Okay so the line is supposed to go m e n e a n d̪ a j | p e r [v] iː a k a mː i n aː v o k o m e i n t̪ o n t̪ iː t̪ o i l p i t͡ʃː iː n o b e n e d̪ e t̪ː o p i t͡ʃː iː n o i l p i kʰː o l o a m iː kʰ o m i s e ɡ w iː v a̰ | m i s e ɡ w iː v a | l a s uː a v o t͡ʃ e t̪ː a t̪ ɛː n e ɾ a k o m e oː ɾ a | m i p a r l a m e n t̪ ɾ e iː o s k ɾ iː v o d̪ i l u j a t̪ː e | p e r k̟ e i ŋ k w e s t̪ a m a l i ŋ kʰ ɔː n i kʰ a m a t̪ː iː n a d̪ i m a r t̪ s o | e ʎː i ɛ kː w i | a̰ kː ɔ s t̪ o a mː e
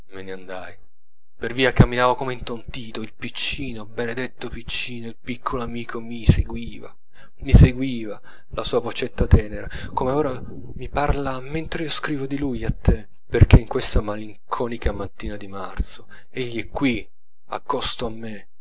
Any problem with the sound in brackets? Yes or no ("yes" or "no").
no